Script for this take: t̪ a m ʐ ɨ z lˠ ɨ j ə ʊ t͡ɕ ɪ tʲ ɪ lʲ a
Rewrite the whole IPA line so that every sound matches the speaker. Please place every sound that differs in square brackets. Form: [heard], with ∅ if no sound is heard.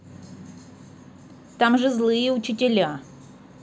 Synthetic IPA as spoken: t̪ a m ʐ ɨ z lˠ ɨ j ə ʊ t͡ɕ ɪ tʲ ɪ lʲ a